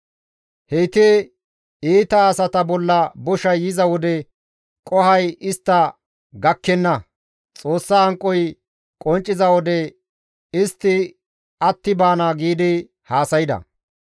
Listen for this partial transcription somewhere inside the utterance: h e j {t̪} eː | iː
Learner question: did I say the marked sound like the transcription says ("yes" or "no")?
yes